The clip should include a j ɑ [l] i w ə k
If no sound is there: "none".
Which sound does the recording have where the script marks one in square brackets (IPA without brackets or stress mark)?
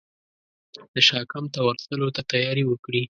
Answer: ɾ